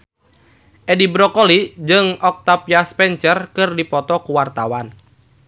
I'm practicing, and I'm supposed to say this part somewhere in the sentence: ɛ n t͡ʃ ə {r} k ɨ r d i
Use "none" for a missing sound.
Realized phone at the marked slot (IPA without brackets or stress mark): r